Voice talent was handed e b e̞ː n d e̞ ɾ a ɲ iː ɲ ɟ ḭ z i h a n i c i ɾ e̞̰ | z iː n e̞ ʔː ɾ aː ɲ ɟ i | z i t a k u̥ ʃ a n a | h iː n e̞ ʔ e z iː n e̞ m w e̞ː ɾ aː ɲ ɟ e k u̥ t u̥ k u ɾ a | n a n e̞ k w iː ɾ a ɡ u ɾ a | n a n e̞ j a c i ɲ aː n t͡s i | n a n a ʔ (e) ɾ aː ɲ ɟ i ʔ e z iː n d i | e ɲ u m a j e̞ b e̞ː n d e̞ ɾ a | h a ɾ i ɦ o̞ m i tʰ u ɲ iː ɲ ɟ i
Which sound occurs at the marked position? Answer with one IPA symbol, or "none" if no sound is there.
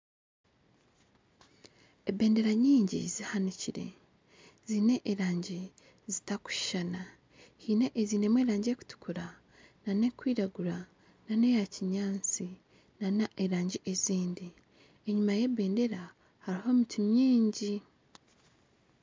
e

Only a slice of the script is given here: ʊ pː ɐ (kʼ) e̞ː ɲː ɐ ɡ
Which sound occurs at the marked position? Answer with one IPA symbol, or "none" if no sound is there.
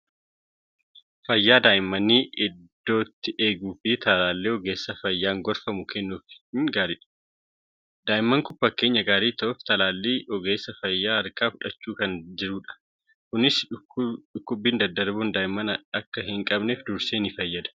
k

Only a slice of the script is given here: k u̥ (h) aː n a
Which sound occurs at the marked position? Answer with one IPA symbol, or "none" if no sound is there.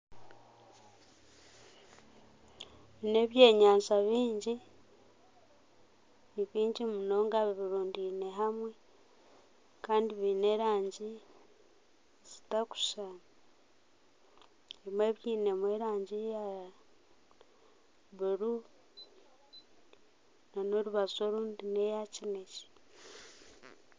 ʃ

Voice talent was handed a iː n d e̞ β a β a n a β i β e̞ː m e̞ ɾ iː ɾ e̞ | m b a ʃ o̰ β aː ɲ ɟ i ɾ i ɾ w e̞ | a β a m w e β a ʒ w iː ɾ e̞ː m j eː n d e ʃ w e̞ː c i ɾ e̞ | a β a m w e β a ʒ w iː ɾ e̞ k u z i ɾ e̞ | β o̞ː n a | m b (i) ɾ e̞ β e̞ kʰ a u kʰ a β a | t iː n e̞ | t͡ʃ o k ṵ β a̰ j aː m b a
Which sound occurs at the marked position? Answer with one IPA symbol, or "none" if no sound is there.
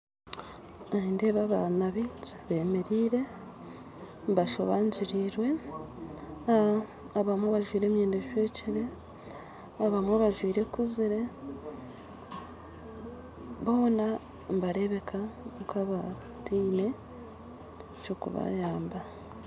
a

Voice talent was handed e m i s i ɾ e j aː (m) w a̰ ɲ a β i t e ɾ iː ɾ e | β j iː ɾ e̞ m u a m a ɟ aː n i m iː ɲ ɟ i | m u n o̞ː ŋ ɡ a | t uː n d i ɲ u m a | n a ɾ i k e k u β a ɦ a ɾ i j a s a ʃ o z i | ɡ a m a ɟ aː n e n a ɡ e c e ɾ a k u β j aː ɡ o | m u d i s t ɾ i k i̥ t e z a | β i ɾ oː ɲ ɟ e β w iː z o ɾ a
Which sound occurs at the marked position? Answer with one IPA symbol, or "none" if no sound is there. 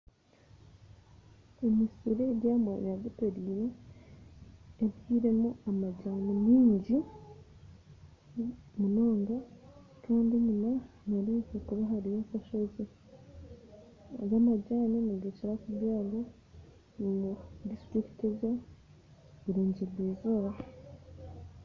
m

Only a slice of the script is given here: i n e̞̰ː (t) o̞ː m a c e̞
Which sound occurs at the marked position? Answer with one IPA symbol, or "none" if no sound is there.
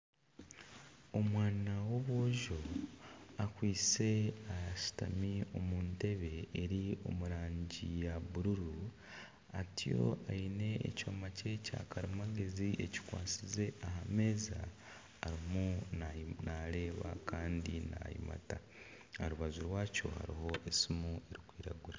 c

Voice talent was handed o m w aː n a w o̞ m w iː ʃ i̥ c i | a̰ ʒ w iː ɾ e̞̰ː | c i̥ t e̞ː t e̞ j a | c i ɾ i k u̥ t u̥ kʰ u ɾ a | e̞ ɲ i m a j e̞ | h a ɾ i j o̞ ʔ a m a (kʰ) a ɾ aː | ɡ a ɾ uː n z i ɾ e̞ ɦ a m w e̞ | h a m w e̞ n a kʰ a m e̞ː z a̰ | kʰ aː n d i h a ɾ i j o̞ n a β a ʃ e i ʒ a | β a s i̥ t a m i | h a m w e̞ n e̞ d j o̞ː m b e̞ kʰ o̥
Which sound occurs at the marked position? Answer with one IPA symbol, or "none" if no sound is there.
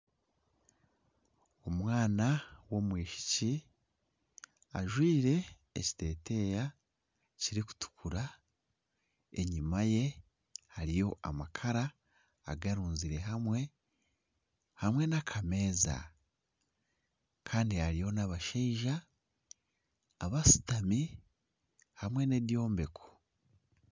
kʰ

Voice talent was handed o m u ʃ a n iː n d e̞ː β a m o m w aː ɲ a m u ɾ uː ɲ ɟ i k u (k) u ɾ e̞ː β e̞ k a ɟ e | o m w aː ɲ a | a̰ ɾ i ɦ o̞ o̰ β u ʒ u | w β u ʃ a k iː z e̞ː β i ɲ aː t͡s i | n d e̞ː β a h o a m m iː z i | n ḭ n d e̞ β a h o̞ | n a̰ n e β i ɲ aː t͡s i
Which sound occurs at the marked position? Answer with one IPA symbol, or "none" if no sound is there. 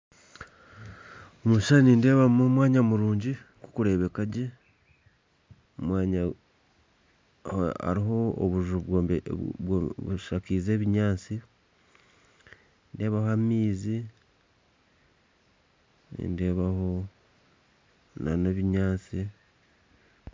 k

